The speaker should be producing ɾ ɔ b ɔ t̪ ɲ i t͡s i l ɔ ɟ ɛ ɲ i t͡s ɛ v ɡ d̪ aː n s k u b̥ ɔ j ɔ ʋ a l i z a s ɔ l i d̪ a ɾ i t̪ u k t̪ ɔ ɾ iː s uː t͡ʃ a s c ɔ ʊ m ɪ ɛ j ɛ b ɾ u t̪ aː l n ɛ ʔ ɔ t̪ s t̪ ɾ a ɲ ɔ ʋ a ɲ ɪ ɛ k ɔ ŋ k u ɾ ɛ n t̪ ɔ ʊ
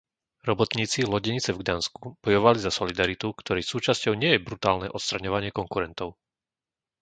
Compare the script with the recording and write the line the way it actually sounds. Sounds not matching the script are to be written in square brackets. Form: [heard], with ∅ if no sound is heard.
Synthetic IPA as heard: ɾ ɔ b ɔ t̪ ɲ [iː] t͡s i l ɔ ɟ ɛ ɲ i t͡s ɛ v ɡ d̪ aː n s k u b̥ ɔ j ɔ ʋ a l i z a s ɔ l i d̪ a ɾ i t̪ u k t̪ ɔ ɾ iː s uː t͡ʃ a s c ɔ ʊ [ɲ] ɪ ɛ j ɛ b ɾ u t̪ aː l n ɛ ʔ ɔ t̪ s t̪ ɾ a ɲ ɔ ʋ a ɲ ɪ ɛ k ɔ ŋ k u ɾ ɛ n t̪ ɔ ʊ